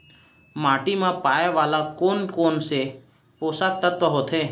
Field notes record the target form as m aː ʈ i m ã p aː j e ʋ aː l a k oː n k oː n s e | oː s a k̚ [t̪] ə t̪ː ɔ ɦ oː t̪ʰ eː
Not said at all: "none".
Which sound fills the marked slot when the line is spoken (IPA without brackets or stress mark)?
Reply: t̪